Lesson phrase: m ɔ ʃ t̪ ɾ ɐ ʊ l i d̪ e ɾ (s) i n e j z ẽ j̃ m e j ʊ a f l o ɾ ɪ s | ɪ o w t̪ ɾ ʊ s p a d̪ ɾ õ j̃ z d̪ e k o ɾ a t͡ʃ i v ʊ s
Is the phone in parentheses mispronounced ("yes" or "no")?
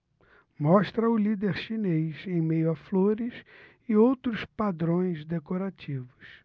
yes